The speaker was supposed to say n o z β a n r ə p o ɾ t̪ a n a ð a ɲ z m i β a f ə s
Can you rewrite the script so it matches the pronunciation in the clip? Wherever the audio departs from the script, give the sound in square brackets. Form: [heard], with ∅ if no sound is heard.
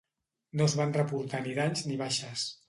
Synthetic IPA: n o z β a n r ə p [u] ɾ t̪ a n [i] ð a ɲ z [n] i β a [ʃ] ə s